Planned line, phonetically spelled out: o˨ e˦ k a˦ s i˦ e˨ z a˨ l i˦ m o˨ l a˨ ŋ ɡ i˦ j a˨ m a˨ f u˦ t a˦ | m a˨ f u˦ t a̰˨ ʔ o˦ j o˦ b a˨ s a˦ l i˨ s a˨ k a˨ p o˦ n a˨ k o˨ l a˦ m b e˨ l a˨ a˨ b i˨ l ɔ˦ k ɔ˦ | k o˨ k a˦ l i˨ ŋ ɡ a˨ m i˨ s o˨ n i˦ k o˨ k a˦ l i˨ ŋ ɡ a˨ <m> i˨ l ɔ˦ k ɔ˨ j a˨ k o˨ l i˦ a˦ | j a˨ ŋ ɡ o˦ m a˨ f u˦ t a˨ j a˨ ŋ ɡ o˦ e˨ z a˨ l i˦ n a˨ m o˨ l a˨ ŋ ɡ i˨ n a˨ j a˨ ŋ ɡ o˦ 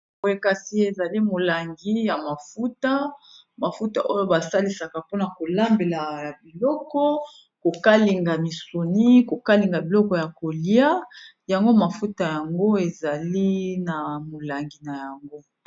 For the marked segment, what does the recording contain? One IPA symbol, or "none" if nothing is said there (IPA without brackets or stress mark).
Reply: b